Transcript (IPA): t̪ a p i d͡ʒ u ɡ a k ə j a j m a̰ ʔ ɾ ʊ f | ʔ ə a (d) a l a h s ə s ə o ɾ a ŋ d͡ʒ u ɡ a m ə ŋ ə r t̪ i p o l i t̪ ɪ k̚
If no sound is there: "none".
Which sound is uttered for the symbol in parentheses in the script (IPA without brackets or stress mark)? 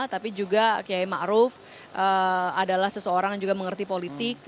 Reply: d